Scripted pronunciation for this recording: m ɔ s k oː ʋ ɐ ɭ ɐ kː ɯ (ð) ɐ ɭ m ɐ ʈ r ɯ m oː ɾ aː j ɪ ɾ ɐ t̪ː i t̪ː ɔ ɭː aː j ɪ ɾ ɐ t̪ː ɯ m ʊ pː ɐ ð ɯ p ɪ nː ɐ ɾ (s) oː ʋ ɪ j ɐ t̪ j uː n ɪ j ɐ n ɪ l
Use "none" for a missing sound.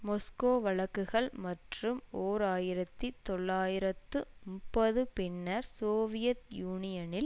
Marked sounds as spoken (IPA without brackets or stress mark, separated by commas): ɣ, s